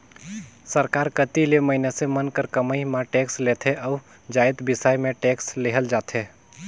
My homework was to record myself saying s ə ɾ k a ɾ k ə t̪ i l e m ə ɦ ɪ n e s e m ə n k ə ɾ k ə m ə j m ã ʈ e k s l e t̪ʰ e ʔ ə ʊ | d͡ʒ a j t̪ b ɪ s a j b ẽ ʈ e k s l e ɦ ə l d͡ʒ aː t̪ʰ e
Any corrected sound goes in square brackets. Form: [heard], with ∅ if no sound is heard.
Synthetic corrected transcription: s ə ɾ k a ɾ k ə t̪ i l e m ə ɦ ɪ n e s e m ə n k ə ɾ k ə m ə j m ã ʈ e k s l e t̪ʰ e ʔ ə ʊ | d͡ʒ a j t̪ b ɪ s a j [m] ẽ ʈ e k s l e ɦ ə l d͡ʒ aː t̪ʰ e